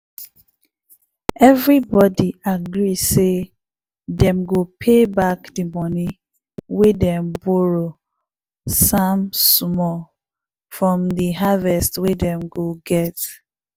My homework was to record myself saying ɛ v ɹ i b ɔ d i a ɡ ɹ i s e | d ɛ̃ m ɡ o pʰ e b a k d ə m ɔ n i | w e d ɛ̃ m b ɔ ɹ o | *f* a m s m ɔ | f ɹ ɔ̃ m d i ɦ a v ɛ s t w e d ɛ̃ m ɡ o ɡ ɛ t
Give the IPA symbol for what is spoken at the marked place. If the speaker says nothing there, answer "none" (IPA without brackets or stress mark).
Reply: s